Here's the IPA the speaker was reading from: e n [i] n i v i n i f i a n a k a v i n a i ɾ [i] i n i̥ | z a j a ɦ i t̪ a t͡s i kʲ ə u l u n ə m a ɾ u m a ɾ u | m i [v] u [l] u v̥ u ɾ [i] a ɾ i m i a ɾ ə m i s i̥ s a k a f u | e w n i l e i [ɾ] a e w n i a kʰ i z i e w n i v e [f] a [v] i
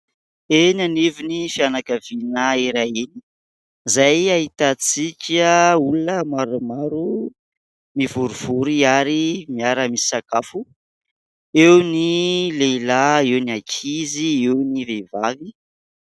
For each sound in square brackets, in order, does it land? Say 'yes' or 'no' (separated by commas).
no, no, yes, no, yes, no, no, yes